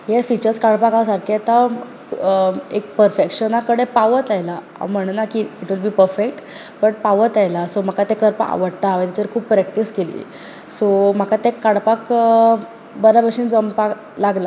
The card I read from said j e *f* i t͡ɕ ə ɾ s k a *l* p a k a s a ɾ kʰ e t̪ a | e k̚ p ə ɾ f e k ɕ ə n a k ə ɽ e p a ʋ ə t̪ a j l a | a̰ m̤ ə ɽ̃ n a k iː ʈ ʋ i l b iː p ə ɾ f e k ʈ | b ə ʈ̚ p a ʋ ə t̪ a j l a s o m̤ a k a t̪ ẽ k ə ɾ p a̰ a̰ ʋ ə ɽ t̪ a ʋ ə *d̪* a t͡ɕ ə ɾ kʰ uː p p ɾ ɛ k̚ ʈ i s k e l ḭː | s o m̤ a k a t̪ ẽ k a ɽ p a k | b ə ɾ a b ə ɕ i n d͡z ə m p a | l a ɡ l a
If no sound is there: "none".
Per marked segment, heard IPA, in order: f, ɽ, t̪

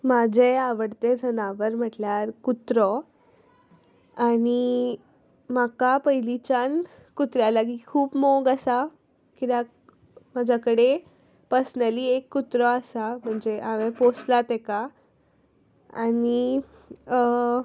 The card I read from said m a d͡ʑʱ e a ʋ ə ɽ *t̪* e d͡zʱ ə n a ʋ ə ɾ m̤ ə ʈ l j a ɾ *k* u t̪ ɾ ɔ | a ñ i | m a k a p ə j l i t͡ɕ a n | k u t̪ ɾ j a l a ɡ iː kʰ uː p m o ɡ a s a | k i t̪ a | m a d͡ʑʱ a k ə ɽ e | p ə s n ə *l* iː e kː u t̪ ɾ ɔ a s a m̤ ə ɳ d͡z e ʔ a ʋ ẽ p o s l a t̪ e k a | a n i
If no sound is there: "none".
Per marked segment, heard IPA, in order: t̪, k, l

